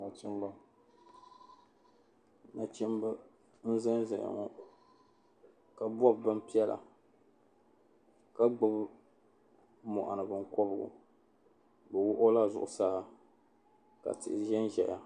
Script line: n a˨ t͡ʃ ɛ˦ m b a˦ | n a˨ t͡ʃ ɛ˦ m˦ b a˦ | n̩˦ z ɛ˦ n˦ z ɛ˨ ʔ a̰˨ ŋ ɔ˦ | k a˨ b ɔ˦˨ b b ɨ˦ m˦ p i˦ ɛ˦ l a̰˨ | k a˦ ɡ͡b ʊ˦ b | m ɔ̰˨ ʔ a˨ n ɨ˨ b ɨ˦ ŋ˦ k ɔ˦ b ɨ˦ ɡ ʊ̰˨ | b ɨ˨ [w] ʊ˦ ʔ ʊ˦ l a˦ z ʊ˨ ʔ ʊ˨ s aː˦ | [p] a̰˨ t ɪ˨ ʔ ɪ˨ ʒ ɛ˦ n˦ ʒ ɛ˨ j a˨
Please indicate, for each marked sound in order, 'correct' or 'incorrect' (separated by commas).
correct, incorrect